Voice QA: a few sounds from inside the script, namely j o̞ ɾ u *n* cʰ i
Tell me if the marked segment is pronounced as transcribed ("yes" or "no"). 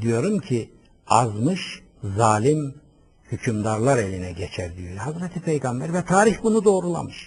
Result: no